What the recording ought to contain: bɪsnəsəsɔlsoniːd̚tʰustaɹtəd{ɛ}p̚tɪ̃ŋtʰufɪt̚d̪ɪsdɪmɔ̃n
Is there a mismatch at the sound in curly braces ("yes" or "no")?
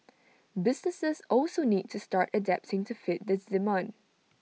no